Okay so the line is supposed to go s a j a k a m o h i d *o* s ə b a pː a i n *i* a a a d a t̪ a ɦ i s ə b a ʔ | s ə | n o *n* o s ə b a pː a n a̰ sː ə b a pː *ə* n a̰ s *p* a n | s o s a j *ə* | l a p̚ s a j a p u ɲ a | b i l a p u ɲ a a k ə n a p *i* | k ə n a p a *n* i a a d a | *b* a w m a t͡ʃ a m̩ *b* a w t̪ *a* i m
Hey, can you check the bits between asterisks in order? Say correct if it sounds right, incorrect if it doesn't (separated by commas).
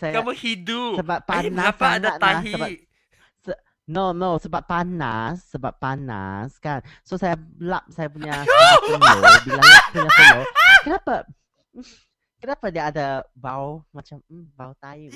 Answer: incorrect, incorrect, correct, incorrect, incorrect, incorrect, incorrect, incorrect, correct, correct, correct